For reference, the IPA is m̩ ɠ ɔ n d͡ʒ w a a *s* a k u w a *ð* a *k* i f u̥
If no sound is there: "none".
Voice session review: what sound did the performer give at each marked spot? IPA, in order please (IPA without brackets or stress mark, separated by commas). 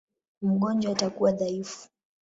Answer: t, ð, none